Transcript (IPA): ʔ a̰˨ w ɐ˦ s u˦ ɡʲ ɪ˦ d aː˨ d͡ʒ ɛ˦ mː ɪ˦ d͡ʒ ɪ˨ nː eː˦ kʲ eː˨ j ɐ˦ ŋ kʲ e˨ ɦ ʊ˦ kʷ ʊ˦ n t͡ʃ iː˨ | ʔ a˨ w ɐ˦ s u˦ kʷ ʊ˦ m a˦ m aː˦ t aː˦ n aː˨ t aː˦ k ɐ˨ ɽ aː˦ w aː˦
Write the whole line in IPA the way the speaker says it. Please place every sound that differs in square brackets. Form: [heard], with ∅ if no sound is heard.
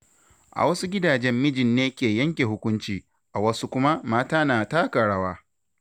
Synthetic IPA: ʔ a̰˨ w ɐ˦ s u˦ ɡʲ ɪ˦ d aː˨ d͡ʒ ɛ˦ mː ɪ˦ d͡ʒ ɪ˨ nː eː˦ kʲ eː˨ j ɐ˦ ŋ kʲ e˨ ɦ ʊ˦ kʷ ʊ˦ n t͡ʃ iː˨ | ʔ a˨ w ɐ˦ s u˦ kʷ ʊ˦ m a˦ m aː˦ t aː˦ n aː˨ t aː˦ k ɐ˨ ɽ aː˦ w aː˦